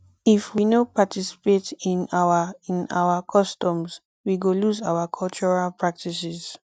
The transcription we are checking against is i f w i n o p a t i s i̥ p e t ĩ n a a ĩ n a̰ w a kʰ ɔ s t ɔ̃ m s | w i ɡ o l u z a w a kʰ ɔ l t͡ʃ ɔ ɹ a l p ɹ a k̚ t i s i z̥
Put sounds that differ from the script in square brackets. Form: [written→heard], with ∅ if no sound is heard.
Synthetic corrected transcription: i f w i n o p a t i s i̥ p e t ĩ n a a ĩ n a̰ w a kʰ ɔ s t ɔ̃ m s | w i ɡ o l u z a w a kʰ ɔ l t͡ʃ ɔ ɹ a l p ɹ a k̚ t i s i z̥